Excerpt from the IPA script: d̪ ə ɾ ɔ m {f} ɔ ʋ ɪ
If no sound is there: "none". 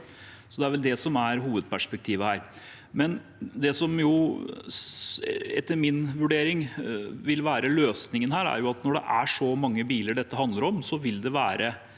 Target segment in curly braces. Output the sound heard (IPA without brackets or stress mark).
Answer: s